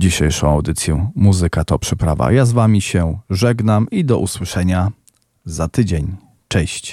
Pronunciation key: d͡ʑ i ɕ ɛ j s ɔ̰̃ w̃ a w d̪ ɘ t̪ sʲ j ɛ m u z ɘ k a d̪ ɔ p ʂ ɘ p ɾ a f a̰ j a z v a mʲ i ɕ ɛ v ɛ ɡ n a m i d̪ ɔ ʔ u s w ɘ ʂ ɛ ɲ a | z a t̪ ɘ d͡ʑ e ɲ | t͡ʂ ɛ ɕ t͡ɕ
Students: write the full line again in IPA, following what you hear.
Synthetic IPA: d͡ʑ i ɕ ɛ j ʂ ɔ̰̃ w̃ a w d̪ ɘ t̪ sʲ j ɛ m u z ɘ k a t̪ ɔ p ʂ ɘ p ɾ a v a̰ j a z v a mʲ i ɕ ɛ ʐ ɛ ɡ n a m i d̪ ɔ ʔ u s w ɘ ʂ ɛ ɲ a | z a t̪ ɘ d͡ʑ e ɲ | t͡ʂ ɛ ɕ t͡ɕ